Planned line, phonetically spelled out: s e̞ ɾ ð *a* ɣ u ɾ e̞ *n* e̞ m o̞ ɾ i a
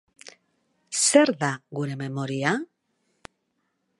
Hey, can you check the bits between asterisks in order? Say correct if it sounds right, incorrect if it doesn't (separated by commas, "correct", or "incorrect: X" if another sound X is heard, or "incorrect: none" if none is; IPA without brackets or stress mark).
correct, incorrect: m